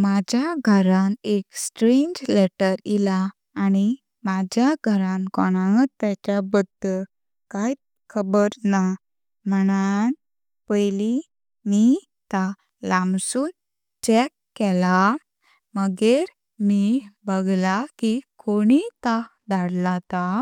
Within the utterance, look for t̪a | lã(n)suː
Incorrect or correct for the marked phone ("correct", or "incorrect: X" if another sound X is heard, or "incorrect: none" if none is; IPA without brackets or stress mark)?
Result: incorrect: m